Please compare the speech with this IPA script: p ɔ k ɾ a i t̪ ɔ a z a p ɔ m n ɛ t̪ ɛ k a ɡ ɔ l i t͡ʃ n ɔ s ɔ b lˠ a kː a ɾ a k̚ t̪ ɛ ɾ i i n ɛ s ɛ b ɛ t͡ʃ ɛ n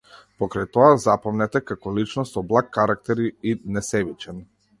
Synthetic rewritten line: p ɔ k ɾ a j t̪ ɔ a z a p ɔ m n ɛ t̪ ɛ k a k ɔ l i t͡ʃ n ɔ s ɔ b lˠ a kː a ɾ a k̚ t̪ ɛ ɾ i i n ɛ s ɛ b i t͡ʃ ɛ n